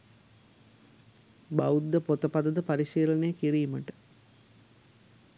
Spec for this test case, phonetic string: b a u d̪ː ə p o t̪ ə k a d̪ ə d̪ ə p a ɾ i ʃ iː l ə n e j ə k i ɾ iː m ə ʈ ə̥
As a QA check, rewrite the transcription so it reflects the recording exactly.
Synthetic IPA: b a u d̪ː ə p o t̪ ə p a d̪ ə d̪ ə p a ɾ i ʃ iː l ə n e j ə k i ɾ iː m ə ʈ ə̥